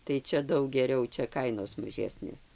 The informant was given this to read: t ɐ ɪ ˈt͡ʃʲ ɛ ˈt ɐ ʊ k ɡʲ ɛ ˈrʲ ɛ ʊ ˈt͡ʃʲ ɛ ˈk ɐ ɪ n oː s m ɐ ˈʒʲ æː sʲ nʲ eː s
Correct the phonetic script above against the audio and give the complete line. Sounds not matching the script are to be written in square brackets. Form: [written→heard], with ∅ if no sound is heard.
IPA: t ɐ ɪ ˈt͡ʃʲ ɛ [ˈt→ˈd] ɐ ʊ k ɡʲ ɛ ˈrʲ ɛ ʊ ˈt͡ʃʲ ɛ ˈk ɐ ɪ n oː s m ɐ ˈʒʲ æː sʲ nʲ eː s